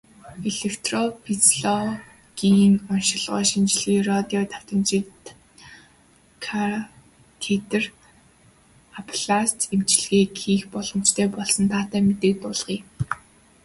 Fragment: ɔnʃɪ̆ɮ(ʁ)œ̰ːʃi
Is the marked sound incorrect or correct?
correct